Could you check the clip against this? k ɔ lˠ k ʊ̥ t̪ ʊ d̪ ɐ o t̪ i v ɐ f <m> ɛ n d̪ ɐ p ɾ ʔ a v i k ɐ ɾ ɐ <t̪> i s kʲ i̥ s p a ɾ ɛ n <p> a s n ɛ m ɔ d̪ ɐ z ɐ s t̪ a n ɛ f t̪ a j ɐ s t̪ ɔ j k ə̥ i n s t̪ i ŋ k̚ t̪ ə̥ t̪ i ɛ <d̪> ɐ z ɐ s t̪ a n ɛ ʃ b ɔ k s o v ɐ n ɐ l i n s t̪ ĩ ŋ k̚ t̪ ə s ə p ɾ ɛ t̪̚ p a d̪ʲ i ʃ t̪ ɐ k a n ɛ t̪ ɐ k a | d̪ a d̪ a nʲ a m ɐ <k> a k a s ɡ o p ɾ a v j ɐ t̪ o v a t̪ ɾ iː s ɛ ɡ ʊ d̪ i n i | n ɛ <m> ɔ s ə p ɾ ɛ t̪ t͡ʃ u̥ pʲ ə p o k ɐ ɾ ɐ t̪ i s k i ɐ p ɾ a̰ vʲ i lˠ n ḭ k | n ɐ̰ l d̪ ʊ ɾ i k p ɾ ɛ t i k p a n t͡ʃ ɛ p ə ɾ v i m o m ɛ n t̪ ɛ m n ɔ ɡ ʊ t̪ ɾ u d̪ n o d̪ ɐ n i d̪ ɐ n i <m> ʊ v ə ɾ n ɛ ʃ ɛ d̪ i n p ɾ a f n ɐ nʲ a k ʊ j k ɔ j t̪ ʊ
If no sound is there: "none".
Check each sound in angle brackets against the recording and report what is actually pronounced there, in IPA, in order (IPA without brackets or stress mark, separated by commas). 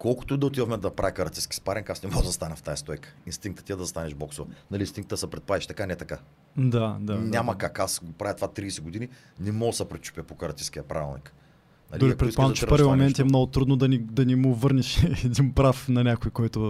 m, t̪, k, d̪, k, m, m